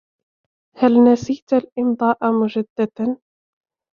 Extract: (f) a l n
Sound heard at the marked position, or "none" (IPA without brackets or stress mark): h